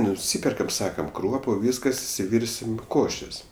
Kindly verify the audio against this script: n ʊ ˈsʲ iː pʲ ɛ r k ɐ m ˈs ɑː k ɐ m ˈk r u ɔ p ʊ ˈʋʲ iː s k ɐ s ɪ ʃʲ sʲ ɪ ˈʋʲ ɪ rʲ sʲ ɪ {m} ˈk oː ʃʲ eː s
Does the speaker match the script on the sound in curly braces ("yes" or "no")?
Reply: yes